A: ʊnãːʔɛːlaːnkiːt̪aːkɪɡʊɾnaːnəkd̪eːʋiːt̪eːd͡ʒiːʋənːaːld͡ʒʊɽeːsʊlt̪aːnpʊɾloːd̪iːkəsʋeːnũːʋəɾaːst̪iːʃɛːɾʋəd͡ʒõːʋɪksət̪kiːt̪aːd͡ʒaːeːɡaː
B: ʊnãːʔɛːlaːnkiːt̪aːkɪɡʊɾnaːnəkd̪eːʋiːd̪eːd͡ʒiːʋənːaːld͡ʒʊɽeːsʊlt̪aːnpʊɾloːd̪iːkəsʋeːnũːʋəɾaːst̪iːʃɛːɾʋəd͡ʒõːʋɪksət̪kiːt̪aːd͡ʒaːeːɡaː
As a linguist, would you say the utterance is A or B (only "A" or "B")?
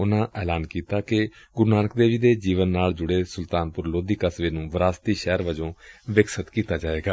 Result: B